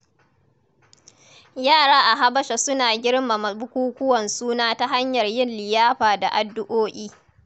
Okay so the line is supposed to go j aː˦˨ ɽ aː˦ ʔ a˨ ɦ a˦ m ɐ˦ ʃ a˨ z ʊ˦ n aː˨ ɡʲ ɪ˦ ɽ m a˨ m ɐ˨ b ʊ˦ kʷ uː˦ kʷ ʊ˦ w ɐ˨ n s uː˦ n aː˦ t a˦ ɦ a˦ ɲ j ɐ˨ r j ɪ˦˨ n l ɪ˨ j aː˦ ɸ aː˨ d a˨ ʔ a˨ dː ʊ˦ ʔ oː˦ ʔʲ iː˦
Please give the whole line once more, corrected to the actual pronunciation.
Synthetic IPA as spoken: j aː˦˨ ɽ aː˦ ʔ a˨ ɦ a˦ b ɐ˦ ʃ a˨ s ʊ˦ n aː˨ ɡʲ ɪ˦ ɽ m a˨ m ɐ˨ b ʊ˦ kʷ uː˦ kʷ ʊ˦ w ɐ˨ n s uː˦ n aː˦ t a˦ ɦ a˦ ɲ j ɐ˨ r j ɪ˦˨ n l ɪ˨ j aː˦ ɸ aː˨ d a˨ ʔ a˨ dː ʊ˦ ʔ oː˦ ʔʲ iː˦